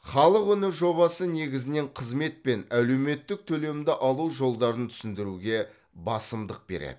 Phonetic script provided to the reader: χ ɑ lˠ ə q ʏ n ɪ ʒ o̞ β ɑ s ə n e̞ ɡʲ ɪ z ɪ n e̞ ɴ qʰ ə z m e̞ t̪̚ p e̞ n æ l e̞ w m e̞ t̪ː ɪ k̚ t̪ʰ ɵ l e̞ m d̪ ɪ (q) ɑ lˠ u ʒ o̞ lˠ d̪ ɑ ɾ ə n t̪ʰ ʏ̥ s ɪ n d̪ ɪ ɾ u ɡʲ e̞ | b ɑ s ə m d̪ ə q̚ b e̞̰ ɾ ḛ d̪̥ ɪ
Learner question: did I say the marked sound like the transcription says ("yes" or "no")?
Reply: no